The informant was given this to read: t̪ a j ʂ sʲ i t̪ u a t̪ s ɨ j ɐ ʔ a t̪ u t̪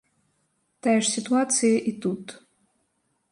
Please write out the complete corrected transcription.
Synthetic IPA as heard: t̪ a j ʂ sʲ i t̪ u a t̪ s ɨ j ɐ ʔ i t̪ u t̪